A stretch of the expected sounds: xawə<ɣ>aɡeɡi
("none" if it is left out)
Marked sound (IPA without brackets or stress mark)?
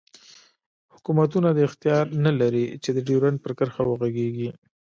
ɣ